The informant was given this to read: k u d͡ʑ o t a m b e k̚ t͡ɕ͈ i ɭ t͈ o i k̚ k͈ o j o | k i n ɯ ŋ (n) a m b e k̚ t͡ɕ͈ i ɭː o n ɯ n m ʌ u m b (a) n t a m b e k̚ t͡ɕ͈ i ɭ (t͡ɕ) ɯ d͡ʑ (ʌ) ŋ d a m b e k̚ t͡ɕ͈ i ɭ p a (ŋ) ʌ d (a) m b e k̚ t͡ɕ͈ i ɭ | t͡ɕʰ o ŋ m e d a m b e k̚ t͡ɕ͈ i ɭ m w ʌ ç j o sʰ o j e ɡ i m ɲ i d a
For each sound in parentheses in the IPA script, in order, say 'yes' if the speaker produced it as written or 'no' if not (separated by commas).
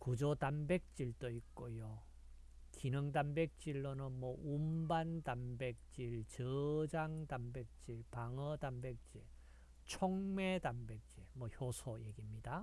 no, yes, yes, no, yes, yes